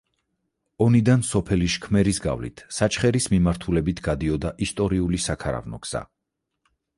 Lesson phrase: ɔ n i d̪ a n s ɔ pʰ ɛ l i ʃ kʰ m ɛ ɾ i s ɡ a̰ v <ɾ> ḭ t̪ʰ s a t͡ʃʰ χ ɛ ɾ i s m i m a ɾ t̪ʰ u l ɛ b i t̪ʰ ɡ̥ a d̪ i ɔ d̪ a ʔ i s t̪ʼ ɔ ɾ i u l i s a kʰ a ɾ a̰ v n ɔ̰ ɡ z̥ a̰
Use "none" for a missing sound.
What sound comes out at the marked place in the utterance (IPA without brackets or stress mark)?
l